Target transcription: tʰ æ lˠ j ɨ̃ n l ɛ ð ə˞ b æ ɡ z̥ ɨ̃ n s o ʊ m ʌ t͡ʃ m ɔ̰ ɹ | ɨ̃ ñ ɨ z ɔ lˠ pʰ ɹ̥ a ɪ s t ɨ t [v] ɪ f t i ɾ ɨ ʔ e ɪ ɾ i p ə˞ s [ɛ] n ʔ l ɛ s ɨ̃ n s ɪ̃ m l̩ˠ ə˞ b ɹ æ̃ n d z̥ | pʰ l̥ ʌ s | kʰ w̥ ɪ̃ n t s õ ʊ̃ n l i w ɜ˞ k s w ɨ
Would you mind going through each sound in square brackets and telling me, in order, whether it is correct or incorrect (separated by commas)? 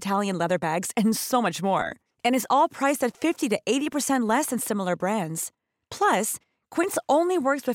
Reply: incorrect, incorrect